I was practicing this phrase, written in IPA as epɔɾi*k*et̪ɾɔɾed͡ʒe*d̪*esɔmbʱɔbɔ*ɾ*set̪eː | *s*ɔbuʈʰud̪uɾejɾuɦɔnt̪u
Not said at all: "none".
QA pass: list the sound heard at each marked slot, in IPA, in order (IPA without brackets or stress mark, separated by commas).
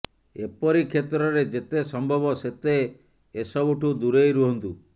kʰ, t̪, none, s